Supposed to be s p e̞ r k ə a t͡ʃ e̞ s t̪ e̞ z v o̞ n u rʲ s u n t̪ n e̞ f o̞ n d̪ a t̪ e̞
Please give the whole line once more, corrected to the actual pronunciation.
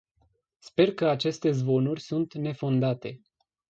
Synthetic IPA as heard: s p e̞ r k ə a t͡ʃ e̞ s t̪ e̞ z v o̞ n u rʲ s u n t̪ n e̞ f o̞ n d̪ a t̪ e̞